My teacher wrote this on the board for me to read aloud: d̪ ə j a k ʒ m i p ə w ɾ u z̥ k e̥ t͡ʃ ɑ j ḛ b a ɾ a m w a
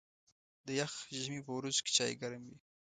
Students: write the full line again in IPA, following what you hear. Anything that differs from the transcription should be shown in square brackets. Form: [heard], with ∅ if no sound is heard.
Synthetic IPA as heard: d̪ ə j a [x] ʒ m i p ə w ɾ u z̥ k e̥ t͡ʃ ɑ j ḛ [ɡ] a ɾ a m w [i]